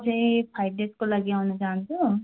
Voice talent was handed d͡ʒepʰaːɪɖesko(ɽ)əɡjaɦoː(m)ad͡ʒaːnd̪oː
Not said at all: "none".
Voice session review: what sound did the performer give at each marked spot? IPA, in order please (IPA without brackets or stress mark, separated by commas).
l, n